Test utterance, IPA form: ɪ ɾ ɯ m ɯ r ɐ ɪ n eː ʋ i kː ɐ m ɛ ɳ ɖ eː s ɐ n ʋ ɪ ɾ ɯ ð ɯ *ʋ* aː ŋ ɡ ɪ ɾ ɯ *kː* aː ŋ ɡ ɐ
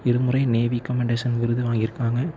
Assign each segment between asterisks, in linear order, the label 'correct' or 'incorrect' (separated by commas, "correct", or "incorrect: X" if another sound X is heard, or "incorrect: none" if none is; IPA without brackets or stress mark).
correct, correct